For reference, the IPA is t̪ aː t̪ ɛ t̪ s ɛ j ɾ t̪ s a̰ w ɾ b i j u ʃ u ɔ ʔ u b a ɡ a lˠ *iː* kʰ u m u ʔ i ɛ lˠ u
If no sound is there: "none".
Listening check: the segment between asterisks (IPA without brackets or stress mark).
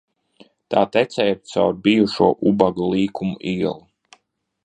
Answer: iː